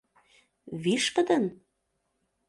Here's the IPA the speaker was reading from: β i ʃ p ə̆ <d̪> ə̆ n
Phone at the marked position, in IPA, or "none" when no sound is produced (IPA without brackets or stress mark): d̪